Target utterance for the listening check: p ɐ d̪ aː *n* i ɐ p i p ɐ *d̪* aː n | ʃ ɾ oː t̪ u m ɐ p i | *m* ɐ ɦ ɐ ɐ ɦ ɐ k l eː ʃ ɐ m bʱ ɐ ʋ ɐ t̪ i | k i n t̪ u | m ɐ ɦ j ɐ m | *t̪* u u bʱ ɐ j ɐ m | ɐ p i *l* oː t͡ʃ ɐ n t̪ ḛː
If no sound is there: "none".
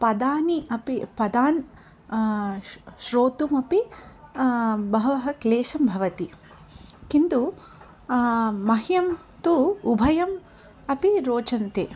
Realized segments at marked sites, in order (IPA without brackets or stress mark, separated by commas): n, d̪, b, t̪, ɾ